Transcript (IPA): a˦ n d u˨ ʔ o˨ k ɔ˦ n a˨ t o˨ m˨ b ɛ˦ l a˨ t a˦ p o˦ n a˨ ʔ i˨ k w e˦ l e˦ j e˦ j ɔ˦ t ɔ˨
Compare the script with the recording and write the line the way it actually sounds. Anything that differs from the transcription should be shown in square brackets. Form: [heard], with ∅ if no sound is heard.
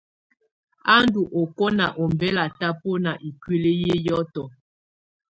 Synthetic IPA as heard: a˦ n d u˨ ʔ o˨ k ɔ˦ n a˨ [ʔ] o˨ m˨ b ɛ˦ l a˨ t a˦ p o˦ n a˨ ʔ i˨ k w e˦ l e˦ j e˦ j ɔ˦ t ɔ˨